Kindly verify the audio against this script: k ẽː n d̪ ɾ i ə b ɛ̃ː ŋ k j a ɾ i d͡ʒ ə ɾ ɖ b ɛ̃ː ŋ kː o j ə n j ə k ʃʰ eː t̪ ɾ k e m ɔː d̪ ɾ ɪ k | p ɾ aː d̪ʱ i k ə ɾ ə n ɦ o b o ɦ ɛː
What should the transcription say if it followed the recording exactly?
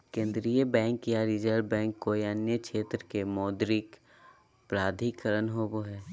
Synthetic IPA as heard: k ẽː n d̪ ɾ i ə b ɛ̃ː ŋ k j a ɾ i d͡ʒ ə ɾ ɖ b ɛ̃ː ŋ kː o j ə n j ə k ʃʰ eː t̪ ɾ k e m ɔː d̪ ɾ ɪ k | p ɾ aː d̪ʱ i k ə ɾ ə n ɦ o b o ɦ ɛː